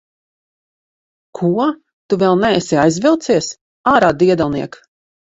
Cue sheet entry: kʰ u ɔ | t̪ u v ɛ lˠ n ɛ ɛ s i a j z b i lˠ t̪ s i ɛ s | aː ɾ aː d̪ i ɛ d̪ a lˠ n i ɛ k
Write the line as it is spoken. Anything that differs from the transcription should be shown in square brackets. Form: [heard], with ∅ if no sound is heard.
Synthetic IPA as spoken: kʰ u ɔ | t̪ u v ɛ lˠ n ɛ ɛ s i a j z [v] i lˠ t̪ s i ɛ s | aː ɾ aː d̪ i ɛ d̪ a lˠ n i ɛ k